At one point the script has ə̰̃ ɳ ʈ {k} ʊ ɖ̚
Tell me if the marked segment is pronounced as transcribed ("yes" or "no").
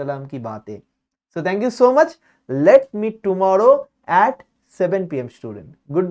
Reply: no